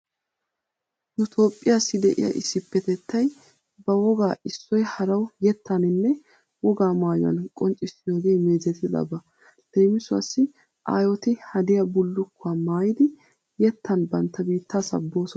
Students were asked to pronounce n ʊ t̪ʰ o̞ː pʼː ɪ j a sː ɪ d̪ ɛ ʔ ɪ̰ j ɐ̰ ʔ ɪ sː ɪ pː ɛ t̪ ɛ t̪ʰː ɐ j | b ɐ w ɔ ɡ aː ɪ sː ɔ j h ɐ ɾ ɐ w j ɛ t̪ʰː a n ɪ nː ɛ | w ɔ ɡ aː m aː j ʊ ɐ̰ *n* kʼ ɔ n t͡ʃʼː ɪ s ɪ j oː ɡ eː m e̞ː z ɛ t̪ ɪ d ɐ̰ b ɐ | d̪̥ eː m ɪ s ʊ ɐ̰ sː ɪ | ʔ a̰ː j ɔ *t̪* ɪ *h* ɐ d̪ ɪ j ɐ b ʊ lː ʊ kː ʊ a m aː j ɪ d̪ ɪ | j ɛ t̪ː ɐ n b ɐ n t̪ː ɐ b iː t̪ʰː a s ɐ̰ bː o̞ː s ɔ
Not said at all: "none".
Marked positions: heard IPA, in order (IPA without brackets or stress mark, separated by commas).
n, t̪, h